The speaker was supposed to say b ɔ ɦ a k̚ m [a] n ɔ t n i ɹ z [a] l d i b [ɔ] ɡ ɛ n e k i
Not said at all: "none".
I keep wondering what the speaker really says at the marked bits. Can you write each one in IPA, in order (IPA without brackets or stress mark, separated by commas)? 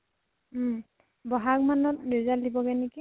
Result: a, a, ɔ